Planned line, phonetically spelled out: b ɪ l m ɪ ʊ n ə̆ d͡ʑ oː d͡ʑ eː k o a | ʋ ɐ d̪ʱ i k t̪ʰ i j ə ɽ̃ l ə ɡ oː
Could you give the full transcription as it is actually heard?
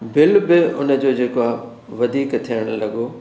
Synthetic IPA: b ɪ l b ɪ ʊ n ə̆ d͡ʑ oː d͡ʑ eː k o a | ʋ ɐ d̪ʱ iː k t̪ʰ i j ə ɽ̃ l ɐ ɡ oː